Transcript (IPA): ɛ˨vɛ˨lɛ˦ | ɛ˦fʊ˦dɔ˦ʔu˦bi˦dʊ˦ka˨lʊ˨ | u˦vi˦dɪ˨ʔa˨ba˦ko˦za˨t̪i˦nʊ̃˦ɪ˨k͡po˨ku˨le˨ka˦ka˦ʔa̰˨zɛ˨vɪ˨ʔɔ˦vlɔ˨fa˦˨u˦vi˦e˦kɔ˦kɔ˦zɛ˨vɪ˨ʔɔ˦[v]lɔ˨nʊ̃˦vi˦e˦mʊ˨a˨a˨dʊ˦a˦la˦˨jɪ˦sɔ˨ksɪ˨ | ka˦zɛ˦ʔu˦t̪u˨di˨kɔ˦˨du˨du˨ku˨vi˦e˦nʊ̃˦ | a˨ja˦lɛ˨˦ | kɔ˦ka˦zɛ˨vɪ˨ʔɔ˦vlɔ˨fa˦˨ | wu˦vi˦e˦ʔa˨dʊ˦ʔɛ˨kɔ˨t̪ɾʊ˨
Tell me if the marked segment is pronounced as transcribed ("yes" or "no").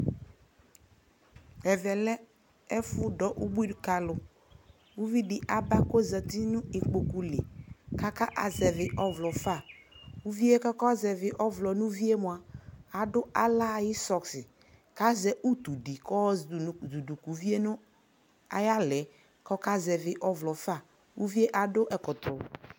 yes